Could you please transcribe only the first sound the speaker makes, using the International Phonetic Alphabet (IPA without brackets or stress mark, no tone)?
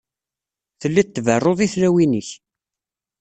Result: θ